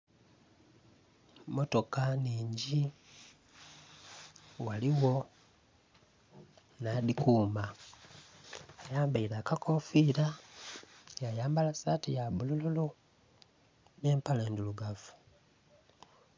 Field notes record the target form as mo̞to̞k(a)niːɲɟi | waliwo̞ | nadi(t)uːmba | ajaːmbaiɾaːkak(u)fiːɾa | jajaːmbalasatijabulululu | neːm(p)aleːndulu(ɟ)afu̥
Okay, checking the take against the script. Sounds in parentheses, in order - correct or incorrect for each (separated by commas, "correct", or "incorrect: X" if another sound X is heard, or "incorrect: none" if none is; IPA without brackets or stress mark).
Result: correct, incorrect: k, incorrect: o, correct, incorrect: ɡ